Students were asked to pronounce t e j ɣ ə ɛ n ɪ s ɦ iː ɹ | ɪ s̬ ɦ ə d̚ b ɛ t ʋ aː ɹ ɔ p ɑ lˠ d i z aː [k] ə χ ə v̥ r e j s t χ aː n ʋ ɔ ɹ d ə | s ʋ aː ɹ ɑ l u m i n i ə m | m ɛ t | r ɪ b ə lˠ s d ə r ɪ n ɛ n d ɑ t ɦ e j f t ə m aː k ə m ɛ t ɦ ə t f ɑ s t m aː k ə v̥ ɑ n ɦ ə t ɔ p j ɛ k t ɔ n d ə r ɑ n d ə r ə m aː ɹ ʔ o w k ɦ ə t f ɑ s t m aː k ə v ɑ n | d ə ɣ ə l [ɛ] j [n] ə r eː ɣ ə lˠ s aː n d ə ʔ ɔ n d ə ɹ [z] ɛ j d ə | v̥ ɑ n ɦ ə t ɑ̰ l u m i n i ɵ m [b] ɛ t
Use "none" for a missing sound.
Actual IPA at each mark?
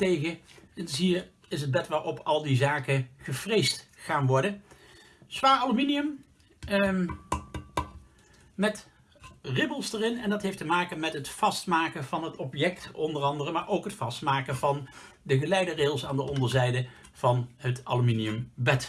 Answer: k, ɛ, d, z, b

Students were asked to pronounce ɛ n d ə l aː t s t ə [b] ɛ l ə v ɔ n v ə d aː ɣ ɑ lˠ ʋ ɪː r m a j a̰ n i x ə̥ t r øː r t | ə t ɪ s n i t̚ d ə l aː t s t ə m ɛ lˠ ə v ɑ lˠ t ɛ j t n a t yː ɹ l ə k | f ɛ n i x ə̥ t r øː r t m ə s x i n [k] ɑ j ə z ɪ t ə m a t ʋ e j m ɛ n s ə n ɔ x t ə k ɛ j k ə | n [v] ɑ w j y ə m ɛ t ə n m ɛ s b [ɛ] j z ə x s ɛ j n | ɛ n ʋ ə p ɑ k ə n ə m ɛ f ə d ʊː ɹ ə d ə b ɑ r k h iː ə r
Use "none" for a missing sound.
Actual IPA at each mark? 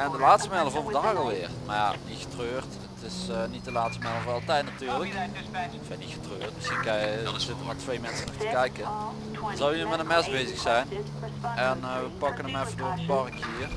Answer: m, k, z, e

